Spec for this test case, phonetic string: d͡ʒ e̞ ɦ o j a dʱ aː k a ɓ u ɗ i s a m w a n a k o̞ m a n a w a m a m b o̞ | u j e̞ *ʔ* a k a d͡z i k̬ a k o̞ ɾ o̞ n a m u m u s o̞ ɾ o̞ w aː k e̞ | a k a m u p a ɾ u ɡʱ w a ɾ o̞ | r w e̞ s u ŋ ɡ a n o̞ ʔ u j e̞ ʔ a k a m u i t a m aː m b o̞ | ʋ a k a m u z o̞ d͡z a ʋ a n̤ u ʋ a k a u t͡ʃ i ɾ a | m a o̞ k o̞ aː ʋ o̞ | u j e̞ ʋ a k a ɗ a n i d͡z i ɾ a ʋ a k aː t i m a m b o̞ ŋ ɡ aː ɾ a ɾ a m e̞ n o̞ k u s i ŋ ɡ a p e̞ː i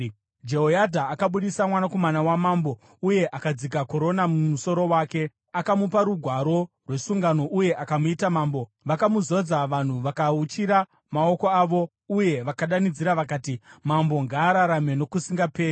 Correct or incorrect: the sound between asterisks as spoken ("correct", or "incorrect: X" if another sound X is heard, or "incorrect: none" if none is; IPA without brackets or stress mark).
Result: correct